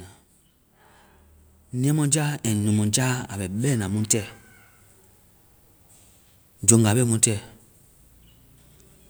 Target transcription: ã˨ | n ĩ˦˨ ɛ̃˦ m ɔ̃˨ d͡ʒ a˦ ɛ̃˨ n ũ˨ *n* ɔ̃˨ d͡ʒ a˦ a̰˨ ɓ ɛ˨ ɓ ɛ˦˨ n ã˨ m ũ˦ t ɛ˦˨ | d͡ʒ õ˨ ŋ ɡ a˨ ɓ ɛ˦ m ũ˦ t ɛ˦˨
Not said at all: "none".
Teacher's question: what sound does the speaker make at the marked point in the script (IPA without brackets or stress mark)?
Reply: m